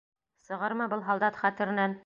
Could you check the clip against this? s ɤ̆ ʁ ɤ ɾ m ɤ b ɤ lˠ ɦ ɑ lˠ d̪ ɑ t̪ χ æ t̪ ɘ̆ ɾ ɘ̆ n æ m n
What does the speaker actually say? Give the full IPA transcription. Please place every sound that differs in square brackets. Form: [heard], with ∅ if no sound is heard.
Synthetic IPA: s ɤ̆ ʁ ɤ ɾ m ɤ b ɤ lˠ ɦ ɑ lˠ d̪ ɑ t̪ χ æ t̪ ɘ̆ ɾ ɘ̆ n æ [∅] n